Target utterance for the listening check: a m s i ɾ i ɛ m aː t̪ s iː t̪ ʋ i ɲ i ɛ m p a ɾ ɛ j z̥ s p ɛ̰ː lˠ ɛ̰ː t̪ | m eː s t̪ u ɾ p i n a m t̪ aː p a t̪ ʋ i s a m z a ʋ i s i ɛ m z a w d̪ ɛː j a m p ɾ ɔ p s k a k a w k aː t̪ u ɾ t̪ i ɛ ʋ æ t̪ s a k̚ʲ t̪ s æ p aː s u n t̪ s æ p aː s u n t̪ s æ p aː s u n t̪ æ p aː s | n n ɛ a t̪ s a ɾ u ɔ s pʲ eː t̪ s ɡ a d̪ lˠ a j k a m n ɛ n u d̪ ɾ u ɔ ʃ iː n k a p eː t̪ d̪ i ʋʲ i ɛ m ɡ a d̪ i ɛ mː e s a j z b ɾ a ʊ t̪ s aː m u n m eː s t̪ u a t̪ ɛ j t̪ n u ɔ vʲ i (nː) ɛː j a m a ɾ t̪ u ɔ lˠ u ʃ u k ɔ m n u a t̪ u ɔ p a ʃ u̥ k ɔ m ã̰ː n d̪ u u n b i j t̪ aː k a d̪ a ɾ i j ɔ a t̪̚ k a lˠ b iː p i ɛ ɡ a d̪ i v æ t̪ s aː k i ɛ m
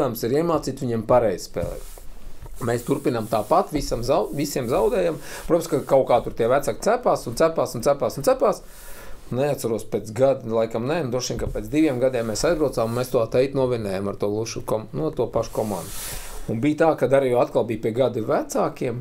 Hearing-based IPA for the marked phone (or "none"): n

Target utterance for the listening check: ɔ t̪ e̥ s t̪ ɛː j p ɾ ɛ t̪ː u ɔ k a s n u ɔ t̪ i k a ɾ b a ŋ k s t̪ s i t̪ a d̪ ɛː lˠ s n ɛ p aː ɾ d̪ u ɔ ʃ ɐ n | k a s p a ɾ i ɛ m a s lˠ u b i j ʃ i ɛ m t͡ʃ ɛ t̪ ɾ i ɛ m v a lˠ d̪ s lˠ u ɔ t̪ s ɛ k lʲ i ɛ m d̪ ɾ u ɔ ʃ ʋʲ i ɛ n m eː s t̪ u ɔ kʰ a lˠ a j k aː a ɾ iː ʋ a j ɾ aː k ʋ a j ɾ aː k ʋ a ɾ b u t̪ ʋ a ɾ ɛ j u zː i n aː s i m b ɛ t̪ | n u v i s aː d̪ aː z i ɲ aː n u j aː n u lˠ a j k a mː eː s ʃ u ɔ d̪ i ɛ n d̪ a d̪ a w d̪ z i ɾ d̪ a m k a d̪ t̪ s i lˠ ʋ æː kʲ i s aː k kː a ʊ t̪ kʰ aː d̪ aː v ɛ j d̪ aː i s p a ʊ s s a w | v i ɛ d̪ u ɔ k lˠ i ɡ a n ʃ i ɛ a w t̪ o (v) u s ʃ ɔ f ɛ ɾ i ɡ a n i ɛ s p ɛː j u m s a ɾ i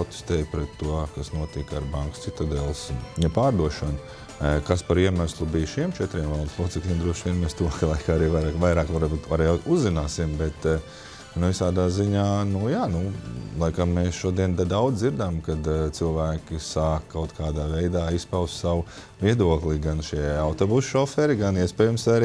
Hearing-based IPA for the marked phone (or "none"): b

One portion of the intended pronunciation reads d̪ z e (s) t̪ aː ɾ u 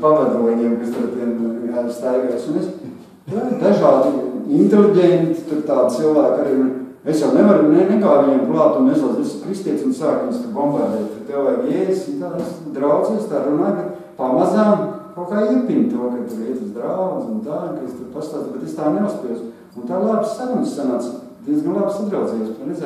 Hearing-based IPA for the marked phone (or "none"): s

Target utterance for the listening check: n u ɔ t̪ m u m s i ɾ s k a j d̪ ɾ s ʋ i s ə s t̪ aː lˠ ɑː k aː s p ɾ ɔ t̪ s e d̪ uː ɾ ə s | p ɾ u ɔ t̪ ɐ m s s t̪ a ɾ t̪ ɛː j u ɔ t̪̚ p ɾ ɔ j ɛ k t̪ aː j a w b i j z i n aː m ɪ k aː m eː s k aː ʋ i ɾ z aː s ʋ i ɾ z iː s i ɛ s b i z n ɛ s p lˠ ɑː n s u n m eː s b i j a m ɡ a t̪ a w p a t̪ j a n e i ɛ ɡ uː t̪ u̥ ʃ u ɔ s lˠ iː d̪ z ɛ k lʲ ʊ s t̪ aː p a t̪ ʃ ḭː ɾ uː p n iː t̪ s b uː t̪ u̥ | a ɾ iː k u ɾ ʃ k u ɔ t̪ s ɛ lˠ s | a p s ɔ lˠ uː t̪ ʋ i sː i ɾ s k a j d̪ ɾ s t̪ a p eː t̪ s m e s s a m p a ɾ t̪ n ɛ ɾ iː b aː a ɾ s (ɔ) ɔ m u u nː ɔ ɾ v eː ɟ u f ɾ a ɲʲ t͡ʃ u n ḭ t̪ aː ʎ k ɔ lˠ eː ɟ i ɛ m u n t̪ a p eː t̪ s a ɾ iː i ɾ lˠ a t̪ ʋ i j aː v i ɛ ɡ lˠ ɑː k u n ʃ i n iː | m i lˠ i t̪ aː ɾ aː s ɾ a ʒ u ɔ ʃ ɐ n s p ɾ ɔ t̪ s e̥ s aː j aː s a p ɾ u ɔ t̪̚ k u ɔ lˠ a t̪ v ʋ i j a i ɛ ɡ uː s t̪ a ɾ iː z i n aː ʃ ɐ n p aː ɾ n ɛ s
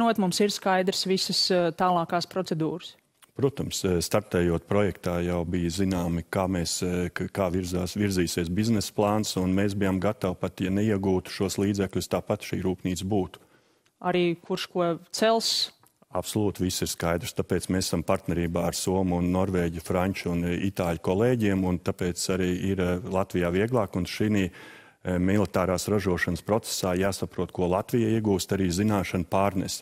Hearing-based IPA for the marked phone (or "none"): u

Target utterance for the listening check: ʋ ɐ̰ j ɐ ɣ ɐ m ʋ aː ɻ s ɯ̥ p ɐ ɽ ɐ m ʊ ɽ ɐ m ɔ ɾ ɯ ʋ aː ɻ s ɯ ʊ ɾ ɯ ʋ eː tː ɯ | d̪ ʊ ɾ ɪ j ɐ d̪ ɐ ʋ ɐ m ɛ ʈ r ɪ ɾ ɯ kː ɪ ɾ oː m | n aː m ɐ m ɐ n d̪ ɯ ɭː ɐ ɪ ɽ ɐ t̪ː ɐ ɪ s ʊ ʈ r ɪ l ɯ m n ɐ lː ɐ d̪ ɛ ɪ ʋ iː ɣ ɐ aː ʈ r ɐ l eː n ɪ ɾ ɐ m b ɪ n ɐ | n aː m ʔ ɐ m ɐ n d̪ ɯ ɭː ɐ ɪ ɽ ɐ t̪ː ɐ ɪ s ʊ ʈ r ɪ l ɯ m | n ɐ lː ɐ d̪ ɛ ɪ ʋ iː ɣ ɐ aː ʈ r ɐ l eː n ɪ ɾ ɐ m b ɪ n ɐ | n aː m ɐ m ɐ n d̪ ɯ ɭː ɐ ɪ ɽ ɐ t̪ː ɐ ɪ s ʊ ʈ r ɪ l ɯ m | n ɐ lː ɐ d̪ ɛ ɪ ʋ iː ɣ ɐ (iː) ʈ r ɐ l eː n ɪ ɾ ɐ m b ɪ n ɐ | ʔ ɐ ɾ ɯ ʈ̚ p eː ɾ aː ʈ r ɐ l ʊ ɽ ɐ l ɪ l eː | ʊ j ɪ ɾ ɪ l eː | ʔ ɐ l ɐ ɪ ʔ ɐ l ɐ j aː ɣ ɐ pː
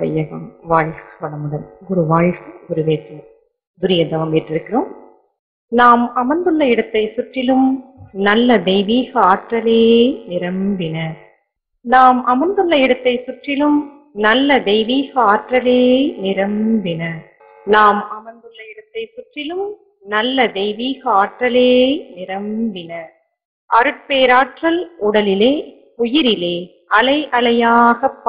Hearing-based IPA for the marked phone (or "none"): aː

